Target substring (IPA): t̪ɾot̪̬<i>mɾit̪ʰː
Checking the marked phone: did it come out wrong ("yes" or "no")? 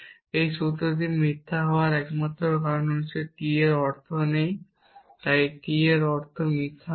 no